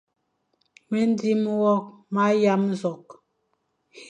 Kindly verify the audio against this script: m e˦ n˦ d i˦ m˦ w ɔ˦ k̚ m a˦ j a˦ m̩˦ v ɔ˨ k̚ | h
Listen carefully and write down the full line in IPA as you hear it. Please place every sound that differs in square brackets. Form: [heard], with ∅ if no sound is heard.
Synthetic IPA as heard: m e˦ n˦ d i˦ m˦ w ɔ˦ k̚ m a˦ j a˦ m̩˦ [z] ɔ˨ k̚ | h